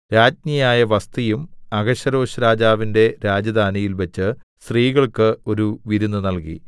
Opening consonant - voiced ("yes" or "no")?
yes